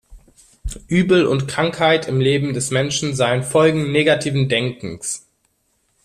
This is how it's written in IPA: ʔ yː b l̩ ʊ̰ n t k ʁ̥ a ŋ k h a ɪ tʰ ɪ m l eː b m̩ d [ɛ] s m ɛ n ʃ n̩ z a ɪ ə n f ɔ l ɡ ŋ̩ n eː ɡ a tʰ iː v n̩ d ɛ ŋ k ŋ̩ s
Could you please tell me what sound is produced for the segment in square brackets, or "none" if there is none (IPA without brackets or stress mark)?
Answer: ɛ